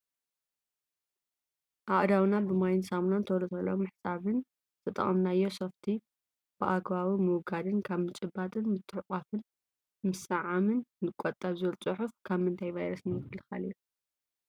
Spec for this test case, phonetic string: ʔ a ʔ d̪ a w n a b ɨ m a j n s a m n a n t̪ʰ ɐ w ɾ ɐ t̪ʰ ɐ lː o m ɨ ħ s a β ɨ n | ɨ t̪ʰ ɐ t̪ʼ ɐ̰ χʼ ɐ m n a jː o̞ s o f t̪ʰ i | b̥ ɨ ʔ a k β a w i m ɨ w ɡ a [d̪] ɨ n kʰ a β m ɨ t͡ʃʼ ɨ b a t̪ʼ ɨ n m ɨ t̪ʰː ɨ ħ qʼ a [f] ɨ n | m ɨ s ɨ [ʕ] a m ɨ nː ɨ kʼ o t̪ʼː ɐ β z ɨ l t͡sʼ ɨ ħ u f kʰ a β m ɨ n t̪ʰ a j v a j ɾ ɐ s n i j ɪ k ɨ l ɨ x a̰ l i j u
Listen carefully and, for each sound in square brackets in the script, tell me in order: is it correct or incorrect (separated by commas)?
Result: correct, correct, correct